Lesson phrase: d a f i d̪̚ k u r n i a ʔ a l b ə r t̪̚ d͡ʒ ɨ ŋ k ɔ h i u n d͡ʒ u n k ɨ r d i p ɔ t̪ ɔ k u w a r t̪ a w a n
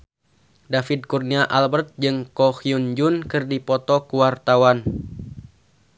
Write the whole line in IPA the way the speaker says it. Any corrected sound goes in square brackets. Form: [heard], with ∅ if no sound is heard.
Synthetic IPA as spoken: d a f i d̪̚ k u r n i a ʔ a l b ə r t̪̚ d͡ʒ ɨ ŋ k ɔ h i u n d͡ʒ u n k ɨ r d i p ɔ t̪ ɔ k u w a r t̪ a w a n